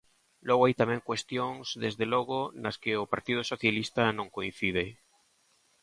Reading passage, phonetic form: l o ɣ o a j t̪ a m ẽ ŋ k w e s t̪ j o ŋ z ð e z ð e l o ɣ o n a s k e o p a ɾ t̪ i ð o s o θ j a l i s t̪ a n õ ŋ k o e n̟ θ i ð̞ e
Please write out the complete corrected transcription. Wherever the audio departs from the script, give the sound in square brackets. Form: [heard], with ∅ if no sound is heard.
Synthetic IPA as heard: l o ɣ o a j t̪ a m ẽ ŋ k w e s t̪ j o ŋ z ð e z ð e l o ɣ o n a s k e o p a ɾ t̪ i ð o s o θ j a l i s t̪ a n õ ŋ k o [i] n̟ θ i ð̞ e